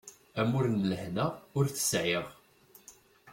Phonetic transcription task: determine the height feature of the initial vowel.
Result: low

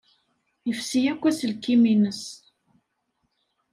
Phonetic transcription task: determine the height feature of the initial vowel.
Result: mid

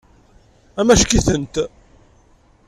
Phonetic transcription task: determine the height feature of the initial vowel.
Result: low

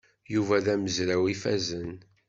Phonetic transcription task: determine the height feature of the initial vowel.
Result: high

